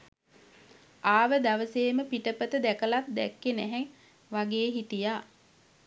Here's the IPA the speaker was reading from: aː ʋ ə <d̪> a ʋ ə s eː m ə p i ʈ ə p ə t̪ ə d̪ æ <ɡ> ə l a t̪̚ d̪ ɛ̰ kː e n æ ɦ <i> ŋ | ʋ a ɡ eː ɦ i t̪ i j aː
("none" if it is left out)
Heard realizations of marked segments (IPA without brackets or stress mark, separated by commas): d̪, k, ɛ